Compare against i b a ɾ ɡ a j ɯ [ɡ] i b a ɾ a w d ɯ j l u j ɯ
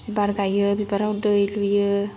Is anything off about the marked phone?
yes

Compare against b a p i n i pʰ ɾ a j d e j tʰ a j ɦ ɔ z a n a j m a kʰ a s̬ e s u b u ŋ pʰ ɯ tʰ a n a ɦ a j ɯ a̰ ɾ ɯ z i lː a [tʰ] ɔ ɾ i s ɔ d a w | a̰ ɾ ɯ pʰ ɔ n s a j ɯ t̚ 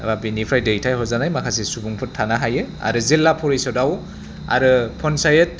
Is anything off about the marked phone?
yes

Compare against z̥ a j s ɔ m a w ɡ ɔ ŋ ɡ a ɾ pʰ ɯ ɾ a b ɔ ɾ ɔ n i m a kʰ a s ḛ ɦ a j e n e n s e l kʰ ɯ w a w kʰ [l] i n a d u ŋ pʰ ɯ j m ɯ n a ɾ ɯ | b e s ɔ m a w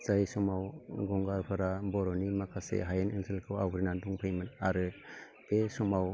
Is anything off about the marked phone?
yes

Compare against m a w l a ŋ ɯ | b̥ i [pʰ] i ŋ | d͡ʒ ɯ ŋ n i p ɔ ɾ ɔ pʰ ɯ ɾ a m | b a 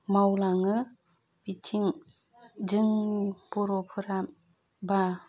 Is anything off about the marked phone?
yes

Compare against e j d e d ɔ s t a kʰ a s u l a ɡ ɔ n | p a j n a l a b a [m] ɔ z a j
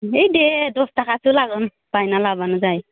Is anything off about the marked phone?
yes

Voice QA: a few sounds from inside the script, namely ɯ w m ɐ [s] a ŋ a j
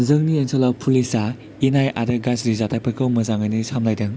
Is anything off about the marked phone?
yes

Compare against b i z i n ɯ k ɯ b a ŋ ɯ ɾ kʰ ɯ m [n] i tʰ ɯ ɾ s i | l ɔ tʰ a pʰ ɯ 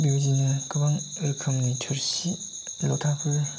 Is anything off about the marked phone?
no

